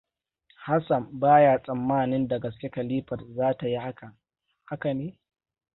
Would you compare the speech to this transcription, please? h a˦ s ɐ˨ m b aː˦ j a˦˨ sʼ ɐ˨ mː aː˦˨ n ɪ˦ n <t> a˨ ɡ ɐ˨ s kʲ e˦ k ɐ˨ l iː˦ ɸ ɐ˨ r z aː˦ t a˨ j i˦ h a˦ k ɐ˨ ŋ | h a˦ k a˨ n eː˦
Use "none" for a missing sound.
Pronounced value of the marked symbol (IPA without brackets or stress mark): d